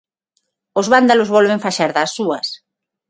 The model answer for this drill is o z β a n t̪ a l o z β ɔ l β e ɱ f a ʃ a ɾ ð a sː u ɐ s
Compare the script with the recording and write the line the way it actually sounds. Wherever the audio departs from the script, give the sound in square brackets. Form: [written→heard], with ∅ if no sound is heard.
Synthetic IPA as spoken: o z β a n [t̪→d̪] a l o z β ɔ l β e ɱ f a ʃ a ɾ ð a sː u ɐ s